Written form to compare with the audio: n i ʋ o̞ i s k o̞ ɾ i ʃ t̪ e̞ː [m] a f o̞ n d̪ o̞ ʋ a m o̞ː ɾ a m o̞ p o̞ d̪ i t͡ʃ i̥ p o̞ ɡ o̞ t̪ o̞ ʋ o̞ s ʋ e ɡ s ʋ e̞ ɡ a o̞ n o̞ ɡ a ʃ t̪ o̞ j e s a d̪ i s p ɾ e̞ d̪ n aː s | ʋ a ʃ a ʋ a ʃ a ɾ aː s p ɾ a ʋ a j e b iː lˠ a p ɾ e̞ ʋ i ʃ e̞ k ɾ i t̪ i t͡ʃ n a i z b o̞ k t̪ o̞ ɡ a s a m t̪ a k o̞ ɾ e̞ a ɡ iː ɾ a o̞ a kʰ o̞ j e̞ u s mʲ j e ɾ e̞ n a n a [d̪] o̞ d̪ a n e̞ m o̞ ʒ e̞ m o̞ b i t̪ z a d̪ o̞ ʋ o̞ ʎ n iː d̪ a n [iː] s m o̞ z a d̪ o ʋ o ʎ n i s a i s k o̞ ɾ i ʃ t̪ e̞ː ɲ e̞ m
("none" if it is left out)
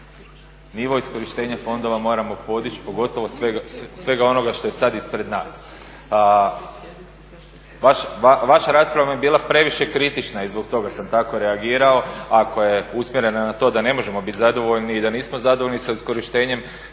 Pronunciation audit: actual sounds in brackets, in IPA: ɲ, t̪, iː

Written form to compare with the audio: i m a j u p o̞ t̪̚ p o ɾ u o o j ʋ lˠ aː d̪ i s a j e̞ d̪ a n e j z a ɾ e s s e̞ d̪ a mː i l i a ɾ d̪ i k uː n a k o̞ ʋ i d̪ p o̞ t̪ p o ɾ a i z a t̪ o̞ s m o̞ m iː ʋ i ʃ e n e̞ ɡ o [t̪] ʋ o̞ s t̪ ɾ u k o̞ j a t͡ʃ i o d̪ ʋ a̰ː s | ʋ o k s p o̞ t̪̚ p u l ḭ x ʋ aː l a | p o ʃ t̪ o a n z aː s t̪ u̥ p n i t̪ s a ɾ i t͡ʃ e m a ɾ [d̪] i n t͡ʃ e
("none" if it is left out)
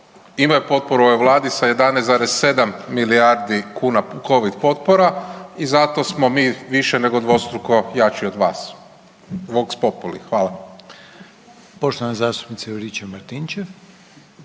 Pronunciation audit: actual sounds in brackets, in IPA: d̪, t̪

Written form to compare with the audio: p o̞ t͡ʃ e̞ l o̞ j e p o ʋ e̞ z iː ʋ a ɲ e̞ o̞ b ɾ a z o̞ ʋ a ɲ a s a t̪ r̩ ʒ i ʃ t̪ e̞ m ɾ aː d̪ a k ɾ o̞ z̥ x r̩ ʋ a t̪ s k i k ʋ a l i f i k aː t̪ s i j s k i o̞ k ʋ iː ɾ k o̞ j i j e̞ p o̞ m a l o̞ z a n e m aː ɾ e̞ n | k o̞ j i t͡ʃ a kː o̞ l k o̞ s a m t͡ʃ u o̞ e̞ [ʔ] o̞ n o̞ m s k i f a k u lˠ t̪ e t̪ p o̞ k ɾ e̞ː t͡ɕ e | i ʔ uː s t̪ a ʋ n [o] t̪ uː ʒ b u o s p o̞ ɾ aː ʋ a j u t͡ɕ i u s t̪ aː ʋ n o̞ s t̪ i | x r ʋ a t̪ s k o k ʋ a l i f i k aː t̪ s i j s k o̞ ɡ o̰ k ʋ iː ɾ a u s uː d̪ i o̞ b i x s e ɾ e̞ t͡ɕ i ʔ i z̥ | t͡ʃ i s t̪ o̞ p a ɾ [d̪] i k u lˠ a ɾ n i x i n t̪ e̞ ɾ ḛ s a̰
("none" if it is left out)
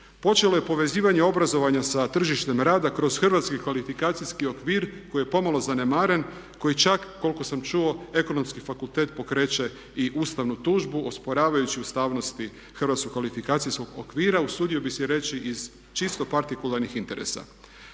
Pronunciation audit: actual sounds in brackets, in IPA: k, u, t̪

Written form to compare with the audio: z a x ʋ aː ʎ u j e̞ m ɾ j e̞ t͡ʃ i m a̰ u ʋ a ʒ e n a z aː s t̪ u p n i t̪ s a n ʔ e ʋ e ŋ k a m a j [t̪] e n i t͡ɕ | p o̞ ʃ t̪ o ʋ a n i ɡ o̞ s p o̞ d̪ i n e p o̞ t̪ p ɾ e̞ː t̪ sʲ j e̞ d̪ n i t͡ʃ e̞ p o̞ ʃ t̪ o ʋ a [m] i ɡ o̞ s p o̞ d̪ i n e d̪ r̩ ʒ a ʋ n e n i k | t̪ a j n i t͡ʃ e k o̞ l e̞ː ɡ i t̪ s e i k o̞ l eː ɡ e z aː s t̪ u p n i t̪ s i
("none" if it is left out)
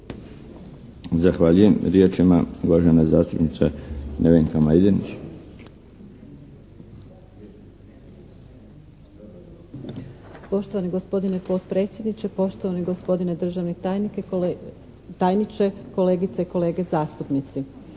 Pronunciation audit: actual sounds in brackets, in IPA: d̪, n

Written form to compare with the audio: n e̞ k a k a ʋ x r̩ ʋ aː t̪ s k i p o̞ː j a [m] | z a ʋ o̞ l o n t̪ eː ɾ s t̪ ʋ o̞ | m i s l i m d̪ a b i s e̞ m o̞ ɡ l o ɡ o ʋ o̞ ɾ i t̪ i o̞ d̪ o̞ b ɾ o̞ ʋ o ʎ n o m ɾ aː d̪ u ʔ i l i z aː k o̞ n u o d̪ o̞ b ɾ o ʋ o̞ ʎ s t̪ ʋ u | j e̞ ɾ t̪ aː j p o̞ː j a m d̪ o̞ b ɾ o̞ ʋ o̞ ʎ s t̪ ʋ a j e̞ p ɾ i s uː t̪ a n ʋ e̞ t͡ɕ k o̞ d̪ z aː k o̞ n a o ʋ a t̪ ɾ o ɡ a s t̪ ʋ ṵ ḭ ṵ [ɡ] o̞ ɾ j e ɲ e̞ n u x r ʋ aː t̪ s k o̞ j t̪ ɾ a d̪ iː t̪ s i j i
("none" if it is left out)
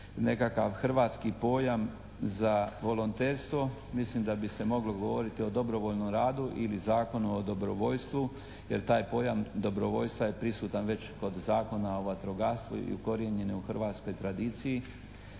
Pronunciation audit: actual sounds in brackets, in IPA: m, k

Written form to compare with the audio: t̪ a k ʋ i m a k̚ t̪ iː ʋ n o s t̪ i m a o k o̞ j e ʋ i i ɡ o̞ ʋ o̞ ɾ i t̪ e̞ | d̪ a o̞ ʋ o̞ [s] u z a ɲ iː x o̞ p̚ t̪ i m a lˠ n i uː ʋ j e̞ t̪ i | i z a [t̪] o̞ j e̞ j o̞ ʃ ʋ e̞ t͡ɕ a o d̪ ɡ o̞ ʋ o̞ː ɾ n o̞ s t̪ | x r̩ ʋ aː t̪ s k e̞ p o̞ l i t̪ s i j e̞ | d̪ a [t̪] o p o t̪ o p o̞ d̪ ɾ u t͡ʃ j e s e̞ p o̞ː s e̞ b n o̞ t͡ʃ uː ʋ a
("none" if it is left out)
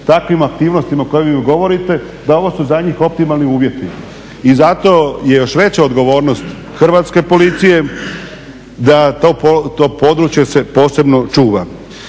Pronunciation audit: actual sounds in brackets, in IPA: s, t̪, t̪

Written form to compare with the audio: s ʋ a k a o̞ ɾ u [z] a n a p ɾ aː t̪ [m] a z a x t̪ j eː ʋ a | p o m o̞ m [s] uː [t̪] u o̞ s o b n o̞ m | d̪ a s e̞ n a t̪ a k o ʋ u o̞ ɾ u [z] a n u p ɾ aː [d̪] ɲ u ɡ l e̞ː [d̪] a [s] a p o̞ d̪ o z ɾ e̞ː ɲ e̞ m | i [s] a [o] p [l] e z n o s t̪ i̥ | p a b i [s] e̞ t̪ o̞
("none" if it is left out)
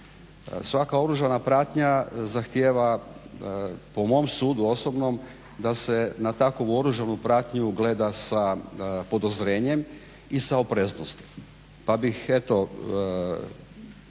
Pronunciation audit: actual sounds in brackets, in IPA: ʒ, ɲ, s, d̪, ʒ, t̪, d̪, s, s, o, ɾ, x

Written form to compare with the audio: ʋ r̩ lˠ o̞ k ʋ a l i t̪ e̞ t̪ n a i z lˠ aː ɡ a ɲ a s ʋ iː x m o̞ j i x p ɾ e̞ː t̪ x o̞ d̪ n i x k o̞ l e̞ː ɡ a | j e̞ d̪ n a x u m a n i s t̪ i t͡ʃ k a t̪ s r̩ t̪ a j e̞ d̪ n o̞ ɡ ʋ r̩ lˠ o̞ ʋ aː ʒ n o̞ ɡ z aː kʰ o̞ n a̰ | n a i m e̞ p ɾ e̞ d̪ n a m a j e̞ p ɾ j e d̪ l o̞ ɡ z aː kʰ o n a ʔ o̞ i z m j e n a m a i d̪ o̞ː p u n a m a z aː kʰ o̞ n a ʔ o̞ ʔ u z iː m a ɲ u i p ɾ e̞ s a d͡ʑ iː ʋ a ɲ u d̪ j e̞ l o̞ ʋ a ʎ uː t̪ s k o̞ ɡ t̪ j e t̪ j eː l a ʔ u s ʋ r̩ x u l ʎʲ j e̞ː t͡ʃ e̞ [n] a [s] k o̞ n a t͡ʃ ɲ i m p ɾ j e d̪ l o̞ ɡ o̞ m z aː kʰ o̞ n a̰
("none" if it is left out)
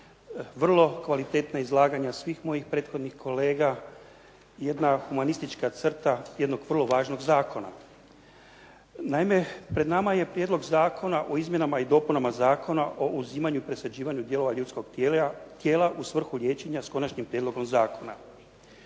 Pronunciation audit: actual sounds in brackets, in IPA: ɲ, s

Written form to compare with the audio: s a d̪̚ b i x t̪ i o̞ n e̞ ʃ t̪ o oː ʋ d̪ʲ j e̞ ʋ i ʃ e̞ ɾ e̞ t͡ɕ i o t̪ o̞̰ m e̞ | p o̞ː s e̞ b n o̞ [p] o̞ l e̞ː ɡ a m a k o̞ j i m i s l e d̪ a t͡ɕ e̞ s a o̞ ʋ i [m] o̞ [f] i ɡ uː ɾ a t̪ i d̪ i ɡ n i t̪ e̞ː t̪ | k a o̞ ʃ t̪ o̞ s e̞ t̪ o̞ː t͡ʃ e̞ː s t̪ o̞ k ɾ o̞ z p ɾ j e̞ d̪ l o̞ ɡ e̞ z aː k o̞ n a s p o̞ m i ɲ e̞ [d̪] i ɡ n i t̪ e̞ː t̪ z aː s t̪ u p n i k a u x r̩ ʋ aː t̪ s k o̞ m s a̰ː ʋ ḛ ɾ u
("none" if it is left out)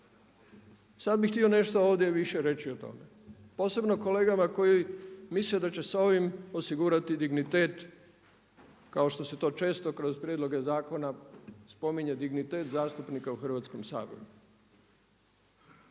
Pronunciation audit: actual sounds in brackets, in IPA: k, m, s, d̪

